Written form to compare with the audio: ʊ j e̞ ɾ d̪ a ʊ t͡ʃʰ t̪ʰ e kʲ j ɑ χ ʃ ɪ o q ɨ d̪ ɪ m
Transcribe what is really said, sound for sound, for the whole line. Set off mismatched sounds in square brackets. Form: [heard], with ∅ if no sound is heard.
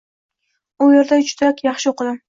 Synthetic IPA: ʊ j e̞ ɾ d̪ a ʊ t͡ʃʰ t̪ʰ [a] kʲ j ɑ χ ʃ ɪ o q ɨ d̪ ɪ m